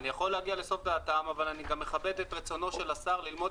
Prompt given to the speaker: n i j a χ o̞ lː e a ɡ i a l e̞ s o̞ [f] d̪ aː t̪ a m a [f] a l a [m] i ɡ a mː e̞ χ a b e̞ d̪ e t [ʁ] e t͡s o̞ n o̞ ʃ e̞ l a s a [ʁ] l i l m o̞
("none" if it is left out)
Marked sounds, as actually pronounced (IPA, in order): f, v, n, ʁ, ʁ

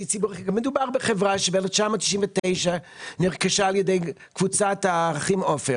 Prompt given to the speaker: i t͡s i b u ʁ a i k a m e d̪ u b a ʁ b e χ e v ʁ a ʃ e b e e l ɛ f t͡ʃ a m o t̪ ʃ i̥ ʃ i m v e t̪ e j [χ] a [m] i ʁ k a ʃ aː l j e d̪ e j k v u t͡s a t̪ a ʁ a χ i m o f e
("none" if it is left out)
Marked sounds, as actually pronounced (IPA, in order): ʃ, n

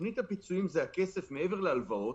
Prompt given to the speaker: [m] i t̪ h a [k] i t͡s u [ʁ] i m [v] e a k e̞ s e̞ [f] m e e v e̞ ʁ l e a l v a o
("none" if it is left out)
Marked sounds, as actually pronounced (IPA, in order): n, p, none, z, f

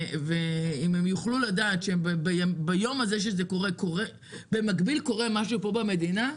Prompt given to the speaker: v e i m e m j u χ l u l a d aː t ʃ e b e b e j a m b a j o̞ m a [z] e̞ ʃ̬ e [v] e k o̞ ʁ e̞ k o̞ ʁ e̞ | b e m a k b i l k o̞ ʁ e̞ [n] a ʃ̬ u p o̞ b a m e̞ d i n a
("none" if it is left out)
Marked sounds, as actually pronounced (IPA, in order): z, z, m

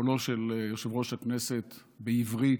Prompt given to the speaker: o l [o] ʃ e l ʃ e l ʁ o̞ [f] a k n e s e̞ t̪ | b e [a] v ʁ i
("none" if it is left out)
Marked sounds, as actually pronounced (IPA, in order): o, ʃ, i

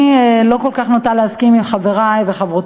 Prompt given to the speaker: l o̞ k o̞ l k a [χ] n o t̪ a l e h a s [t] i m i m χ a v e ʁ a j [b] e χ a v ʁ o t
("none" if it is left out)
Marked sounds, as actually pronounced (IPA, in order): χ, k, v

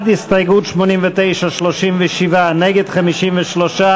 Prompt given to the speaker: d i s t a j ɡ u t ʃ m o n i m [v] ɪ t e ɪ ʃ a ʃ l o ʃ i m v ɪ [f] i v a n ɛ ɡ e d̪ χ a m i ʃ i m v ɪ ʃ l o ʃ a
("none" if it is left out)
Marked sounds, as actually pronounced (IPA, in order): v, ʃ

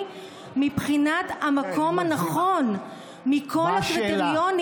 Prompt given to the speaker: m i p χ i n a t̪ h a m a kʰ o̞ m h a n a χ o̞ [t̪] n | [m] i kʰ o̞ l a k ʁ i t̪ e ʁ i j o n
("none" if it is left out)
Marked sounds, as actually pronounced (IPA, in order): none, m

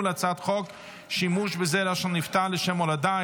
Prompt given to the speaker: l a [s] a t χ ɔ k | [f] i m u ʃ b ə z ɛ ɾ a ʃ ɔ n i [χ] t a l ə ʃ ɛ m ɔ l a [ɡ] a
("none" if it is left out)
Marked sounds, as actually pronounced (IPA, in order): t͡s, ʃ, f, d

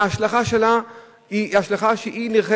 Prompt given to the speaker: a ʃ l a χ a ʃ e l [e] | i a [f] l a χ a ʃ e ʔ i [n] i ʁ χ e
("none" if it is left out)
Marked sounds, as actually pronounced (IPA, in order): a, ʃ, n

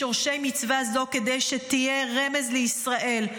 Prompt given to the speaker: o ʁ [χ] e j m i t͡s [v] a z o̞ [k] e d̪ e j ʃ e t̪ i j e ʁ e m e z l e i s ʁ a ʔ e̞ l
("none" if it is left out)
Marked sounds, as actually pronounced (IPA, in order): ʃ, v, k

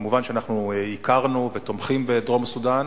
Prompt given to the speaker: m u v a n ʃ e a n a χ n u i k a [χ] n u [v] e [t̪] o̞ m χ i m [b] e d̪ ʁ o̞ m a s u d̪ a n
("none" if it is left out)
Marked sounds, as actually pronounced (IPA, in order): ʁ, v, t̪, b

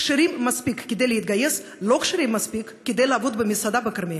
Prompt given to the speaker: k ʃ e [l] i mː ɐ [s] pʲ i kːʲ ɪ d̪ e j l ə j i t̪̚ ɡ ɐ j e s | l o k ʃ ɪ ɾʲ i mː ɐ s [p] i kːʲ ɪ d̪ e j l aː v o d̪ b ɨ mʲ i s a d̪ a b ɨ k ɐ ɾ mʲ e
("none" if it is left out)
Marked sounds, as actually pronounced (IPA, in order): ɾ, s, p

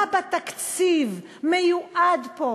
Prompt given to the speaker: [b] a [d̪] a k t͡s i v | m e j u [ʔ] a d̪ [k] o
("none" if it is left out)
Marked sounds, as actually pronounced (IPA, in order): b, t̪, ʔ, p

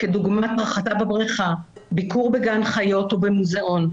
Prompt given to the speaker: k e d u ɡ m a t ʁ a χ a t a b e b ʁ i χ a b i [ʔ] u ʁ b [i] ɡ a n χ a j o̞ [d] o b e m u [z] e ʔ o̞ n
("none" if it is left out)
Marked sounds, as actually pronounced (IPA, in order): k, e, t, z

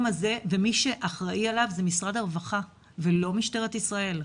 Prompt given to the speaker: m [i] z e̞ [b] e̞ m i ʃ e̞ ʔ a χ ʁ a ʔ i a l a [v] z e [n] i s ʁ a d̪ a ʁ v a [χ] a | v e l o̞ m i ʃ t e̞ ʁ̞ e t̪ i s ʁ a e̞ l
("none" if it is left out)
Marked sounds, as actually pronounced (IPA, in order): a, v, v, m, χ

